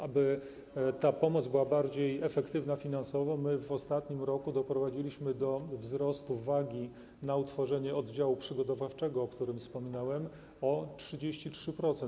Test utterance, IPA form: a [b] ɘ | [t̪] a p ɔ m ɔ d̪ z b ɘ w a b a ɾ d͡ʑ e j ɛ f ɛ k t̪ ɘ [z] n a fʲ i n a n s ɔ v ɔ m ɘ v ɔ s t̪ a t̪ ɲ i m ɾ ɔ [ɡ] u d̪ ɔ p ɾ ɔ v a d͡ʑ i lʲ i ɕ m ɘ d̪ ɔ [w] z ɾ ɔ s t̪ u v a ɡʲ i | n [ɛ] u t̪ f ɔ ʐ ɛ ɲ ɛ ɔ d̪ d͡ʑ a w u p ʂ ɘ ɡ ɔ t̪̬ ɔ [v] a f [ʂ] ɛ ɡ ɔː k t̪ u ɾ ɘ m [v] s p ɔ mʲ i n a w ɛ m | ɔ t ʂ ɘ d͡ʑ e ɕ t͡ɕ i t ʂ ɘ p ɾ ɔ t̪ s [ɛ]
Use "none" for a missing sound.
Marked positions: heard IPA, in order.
b, t̪, v, k, v, a, v, t͡ʂ, f, ɛ

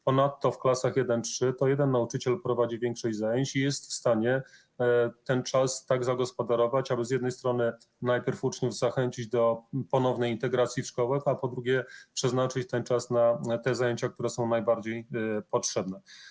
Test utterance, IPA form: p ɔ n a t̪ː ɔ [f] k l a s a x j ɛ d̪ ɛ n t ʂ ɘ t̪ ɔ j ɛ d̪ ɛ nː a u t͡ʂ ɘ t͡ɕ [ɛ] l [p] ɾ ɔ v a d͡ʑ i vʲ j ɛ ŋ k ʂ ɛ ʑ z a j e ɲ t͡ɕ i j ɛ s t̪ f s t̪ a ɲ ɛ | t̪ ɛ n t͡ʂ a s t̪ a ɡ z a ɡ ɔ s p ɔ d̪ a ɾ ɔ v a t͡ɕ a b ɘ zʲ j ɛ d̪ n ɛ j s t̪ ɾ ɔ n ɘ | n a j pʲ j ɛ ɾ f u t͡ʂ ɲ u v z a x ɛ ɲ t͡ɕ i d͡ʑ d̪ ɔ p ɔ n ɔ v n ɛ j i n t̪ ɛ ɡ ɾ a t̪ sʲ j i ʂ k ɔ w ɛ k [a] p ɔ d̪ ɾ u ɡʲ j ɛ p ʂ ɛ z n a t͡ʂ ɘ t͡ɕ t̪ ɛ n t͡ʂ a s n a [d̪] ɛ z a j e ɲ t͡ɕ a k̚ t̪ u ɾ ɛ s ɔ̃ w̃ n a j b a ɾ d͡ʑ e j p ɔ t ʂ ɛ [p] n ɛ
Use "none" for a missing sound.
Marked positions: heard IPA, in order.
f, ɛ, p, a, t̪, b

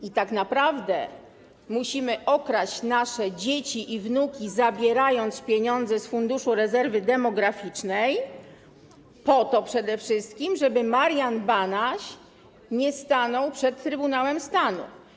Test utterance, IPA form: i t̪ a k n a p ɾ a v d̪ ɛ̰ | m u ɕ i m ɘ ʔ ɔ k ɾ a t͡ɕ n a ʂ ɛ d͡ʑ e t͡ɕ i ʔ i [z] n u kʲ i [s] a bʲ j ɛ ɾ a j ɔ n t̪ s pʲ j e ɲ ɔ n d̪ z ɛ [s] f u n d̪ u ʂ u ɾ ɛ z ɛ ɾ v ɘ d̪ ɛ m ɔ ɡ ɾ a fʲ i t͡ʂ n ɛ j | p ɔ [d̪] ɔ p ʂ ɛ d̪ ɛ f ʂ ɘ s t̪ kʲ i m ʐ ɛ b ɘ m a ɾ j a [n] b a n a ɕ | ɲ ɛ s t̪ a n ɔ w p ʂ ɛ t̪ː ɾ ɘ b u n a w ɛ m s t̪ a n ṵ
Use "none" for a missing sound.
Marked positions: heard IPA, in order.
v, z, s, t̪, n

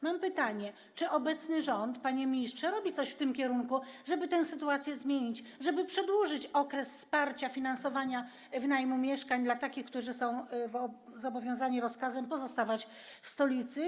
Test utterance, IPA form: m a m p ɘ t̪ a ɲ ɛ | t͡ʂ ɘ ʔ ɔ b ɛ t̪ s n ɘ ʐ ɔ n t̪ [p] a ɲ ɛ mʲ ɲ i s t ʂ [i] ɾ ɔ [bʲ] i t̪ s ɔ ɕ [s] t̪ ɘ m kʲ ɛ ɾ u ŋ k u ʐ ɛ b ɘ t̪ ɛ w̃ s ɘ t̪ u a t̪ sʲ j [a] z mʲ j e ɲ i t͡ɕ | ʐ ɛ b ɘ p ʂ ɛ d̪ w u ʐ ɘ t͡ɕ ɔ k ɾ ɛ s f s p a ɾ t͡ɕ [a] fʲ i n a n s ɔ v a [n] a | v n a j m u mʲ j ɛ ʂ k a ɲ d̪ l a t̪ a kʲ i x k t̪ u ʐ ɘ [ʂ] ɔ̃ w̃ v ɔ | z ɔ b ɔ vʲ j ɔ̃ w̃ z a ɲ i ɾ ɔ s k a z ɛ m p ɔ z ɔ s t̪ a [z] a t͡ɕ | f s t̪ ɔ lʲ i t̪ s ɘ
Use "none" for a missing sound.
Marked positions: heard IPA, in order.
p, ɛ, bʲ, f, ɛ, a, ɲ, s, v

